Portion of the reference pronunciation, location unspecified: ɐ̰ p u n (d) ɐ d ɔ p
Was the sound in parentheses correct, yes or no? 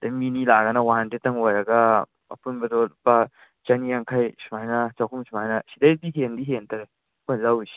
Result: no